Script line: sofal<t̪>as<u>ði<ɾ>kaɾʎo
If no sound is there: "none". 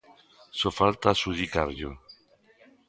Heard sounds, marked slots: t̪, u, none

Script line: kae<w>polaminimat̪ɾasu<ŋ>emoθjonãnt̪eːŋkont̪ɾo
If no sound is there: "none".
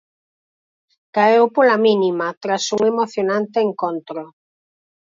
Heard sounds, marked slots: w, ŋ

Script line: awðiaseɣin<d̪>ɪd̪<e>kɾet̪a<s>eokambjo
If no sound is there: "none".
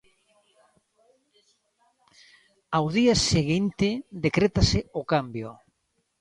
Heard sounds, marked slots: t̪, e, s

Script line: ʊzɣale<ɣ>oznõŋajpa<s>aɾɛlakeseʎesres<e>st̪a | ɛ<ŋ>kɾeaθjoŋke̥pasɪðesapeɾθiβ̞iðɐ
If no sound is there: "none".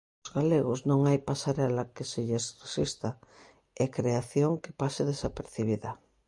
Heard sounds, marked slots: ɣ, s, i, none

